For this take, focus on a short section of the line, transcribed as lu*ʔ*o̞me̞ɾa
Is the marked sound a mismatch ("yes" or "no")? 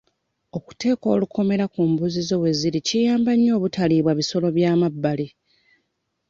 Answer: yes